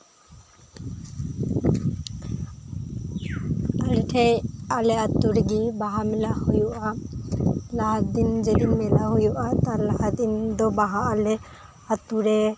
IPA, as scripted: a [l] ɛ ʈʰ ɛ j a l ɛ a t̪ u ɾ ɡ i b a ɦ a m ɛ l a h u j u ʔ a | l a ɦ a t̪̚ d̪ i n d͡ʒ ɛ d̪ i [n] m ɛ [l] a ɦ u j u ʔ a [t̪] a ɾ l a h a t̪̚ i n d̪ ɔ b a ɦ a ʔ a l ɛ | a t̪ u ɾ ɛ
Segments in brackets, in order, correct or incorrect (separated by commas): correct, correct, correct, correct